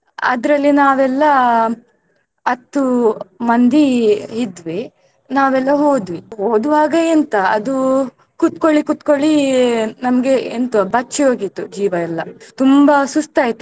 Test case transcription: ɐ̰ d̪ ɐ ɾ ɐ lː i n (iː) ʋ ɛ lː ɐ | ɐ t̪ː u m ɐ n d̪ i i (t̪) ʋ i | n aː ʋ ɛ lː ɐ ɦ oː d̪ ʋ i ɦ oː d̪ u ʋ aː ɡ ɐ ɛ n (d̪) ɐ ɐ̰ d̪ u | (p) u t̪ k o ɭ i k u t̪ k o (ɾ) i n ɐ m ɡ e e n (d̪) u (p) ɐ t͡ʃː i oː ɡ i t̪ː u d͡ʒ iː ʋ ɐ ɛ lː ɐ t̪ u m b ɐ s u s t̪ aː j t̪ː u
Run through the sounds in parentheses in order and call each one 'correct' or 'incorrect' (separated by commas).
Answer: incorrect, incorrect, incorrect, incorrect, incorrect, incorrect, incorrect